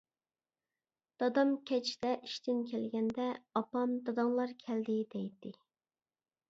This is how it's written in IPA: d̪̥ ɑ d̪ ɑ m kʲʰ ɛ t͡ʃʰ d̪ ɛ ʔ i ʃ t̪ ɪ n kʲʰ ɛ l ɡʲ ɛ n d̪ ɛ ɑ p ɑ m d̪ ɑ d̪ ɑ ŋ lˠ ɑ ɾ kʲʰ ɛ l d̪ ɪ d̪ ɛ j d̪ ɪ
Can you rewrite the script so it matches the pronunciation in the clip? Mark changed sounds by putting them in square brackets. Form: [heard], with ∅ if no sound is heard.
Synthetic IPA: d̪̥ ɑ d̪ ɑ m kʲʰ ɛ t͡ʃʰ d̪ ɛ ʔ i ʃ t̪ ɪ n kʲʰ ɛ l ɡʲ ɛ n d̪ ɛ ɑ p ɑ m d̪ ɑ d̪ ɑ ŋ lˠ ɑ ɾ kʲʰ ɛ l d̪ ɪ d̪ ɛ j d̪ ɪ